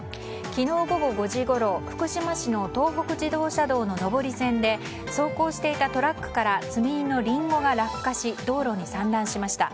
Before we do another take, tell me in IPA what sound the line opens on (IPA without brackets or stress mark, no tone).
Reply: kʲ